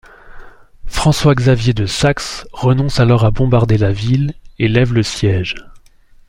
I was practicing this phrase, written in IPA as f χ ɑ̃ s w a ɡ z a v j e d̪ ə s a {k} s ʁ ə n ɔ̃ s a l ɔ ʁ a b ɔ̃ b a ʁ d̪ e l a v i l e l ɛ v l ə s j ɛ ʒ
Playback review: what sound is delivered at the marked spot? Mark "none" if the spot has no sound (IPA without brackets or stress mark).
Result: k